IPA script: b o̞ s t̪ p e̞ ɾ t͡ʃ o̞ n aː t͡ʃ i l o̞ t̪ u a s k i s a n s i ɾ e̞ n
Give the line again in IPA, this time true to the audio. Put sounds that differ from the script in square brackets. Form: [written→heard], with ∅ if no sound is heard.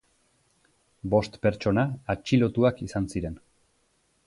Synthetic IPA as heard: b o̞ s t̪ p e̞ ɾ t͡ʃ o̞ n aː t͡ʃ i l o̞ t̪ u a [s→∅] k i s a n s i ɾ e̞ n